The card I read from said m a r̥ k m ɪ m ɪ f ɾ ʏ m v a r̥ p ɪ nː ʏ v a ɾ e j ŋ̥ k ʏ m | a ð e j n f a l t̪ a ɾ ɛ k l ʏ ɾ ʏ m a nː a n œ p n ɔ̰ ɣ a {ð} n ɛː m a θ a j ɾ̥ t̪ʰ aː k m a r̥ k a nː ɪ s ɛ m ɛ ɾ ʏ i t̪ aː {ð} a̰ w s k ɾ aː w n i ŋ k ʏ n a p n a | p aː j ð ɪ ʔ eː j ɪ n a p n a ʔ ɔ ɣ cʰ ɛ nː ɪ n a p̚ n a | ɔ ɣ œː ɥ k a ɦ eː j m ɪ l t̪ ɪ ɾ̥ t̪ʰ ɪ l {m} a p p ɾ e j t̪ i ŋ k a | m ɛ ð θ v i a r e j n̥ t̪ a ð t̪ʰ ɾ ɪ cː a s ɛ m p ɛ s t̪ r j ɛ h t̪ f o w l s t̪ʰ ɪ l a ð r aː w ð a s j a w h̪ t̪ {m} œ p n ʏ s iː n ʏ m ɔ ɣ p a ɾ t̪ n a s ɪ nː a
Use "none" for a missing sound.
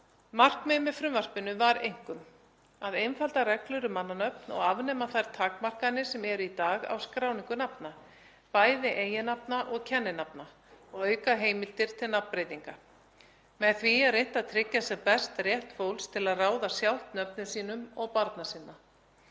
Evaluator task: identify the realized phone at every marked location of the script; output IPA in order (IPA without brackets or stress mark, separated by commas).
v, ɣ, n, n